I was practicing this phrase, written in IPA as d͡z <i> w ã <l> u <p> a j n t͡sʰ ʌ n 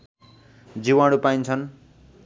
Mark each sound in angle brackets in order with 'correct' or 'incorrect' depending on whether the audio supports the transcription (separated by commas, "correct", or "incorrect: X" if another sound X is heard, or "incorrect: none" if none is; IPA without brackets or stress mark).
correct, incorrect: ɽ, correct